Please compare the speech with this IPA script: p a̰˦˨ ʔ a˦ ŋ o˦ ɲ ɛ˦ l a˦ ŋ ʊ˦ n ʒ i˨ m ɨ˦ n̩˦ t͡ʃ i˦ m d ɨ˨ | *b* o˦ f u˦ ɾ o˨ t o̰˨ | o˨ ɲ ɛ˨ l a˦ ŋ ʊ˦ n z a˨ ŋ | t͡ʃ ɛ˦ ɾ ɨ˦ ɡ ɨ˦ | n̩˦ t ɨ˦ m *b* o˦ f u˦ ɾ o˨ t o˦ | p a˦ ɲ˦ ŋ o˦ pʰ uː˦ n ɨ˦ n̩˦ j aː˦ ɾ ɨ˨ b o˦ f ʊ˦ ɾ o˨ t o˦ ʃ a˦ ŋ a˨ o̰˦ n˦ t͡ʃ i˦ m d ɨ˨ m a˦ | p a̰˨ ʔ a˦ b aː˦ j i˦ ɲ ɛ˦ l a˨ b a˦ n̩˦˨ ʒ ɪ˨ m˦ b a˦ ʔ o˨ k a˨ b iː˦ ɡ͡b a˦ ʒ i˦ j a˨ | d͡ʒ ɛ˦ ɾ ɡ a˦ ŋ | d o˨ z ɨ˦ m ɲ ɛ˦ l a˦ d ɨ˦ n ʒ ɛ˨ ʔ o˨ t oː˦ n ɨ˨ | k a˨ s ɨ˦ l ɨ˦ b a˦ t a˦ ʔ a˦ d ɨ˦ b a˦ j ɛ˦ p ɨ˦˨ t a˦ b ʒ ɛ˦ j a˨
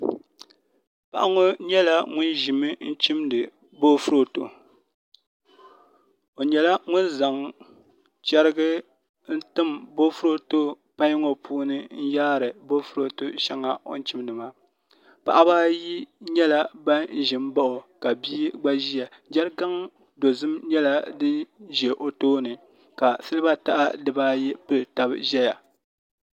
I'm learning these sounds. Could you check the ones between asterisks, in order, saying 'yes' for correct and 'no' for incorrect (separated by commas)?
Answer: yes, yes